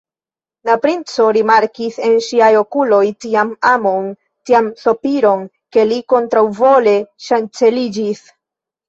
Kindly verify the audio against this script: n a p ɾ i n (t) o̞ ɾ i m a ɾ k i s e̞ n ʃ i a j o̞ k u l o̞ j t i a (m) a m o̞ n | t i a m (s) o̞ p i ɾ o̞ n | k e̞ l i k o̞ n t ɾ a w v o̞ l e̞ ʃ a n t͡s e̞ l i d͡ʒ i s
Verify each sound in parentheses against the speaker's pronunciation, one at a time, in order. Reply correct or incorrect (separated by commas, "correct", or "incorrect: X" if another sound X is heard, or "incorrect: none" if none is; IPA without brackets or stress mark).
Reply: incorrect: t͡s, correct, correct